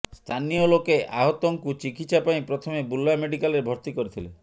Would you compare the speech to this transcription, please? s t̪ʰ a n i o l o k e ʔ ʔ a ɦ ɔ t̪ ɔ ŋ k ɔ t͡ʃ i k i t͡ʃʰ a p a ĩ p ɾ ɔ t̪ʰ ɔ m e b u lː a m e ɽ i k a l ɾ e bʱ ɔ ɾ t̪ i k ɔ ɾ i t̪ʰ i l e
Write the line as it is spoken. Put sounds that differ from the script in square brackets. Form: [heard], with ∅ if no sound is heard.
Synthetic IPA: s t̪ʰ a n i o l o k e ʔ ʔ a ɦ ɔ t̪ ɔ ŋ k [u] t͡ʃ i k i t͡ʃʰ a p a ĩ p ɾ ɔ t̪ʰ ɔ m e b u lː a m e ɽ i k a l ɾ e bʱ ɔ ɾ t̪ i k ɔ ɾ i t̪ʰ i l e